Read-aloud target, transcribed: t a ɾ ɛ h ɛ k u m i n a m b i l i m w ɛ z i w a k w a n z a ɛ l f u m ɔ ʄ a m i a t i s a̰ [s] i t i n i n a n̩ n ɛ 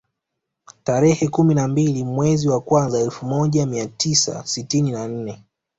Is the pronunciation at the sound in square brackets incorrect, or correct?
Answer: correct